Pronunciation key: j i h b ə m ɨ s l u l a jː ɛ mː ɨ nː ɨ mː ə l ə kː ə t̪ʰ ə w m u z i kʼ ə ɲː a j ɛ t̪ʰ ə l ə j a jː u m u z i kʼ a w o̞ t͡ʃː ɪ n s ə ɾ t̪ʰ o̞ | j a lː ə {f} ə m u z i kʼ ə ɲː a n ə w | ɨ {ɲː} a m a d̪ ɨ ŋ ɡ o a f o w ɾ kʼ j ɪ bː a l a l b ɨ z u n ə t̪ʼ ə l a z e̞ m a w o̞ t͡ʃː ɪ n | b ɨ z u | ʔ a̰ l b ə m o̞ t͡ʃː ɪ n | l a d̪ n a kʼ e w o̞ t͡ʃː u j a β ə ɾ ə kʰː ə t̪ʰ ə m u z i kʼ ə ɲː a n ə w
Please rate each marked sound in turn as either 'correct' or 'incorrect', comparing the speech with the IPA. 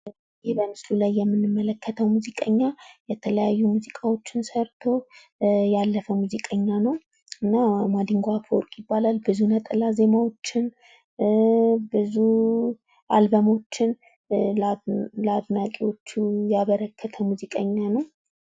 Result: correct, incorrect: nː

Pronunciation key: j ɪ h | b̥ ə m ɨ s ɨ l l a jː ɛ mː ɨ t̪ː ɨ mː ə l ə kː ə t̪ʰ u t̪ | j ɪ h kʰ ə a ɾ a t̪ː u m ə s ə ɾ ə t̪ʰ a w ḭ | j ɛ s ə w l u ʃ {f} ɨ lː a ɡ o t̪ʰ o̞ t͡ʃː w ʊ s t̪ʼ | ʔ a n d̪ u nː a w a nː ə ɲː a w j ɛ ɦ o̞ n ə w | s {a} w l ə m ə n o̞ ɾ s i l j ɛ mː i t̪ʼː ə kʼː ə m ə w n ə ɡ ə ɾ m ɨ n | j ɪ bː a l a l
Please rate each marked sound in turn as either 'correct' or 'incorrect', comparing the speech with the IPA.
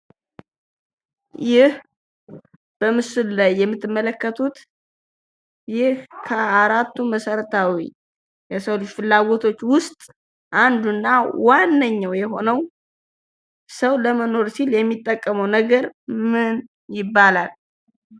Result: correct, incorrect: ə

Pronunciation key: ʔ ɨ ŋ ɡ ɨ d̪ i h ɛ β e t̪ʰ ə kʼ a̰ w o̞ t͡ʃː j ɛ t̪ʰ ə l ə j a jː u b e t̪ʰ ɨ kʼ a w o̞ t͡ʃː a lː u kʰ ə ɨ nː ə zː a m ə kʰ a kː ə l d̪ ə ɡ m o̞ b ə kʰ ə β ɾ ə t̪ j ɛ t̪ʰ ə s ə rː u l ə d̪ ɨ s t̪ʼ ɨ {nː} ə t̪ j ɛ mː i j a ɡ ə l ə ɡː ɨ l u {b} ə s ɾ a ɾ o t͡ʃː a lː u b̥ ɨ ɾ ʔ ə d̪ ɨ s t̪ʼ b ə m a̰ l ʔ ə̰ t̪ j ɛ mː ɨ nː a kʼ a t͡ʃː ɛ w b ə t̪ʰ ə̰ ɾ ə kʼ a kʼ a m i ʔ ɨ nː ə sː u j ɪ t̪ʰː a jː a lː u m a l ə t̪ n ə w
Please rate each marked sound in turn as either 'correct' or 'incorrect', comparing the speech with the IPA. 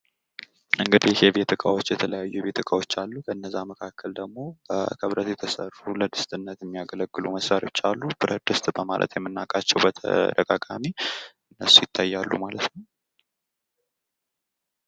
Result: correct, incorrect: m

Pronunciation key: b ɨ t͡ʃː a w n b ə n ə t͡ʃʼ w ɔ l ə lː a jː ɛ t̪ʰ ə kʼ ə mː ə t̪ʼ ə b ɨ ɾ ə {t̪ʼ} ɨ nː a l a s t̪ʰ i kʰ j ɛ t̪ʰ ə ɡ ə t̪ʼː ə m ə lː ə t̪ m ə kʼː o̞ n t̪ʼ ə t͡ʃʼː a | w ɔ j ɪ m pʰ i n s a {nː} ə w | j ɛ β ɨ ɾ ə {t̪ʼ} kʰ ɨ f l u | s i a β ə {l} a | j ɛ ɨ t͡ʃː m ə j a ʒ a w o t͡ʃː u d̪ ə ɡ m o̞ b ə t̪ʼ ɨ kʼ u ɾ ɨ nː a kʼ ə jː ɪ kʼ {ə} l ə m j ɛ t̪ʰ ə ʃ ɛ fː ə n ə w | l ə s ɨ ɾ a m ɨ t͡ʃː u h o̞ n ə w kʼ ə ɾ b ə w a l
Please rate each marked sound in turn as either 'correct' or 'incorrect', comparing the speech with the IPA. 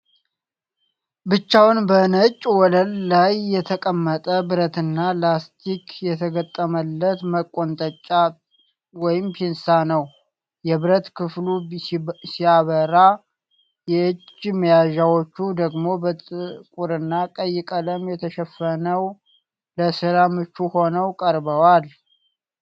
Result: incorrect: t̪, incorrect: n, incorrect: t̪, incorrect: ɾ, correct

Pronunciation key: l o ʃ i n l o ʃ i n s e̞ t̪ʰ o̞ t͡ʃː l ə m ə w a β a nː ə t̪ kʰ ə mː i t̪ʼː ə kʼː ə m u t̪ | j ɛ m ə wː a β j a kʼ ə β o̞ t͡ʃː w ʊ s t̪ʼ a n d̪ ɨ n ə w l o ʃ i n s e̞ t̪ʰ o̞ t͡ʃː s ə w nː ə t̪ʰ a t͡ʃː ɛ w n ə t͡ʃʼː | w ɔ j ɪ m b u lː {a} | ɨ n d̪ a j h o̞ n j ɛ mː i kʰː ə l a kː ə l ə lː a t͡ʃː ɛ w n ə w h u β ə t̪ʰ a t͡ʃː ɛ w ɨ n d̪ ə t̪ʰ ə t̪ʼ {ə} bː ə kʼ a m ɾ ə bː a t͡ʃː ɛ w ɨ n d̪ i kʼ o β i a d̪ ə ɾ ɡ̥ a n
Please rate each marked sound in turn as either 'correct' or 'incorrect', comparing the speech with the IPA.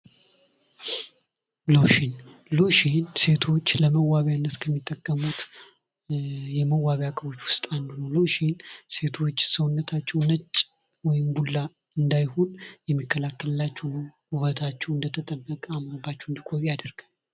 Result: correct, correct

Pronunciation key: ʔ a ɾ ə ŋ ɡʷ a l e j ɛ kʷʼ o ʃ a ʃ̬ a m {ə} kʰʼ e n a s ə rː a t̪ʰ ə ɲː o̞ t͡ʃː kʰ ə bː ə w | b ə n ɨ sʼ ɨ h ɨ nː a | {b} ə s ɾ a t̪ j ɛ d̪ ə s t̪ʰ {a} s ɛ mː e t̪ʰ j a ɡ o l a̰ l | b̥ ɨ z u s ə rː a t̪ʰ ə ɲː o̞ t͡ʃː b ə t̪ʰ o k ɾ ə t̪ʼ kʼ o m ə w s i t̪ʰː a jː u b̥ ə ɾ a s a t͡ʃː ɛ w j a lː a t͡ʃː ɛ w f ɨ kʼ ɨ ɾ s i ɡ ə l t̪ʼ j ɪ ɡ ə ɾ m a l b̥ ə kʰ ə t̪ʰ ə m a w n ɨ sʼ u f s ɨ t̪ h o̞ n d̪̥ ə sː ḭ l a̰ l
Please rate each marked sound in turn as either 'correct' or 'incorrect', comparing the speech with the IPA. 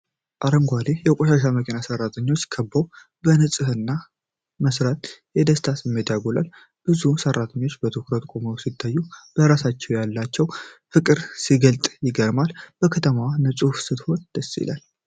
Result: correct, incorrect: m, correct

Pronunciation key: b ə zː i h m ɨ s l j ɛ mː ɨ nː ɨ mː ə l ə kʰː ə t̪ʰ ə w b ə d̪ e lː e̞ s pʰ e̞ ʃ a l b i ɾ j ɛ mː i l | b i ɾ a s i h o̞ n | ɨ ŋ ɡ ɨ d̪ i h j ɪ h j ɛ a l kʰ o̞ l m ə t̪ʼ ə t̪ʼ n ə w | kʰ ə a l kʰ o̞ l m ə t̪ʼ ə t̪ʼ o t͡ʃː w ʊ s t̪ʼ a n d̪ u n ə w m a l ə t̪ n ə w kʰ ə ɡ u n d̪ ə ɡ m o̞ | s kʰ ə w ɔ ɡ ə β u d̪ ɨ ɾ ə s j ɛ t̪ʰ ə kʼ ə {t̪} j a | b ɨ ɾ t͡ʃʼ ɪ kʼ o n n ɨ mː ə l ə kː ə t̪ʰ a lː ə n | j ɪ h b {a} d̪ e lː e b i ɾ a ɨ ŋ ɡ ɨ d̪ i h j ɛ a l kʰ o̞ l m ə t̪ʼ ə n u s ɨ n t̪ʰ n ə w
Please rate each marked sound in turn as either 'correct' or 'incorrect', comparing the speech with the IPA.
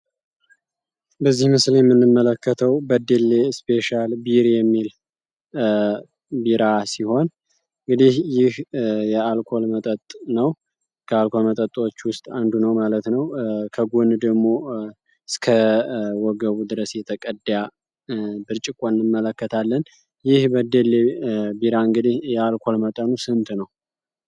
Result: incorrect: d̪, incorrect: ə

